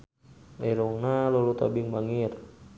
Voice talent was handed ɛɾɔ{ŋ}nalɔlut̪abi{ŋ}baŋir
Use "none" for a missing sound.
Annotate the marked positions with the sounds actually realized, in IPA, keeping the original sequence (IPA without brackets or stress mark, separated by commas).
ŋ, ŋ